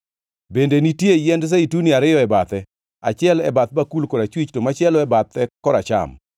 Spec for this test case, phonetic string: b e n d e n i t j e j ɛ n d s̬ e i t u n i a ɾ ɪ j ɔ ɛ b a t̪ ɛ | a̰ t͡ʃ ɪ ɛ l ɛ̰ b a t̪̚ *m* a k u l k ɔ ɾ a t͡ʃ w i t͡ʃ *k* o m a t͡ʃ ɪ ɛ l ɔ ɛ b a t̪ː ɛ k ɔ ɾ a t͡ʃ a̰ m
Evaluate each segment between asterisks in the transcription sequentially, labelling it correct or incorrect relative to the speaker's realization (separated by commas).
incorrect, incorrect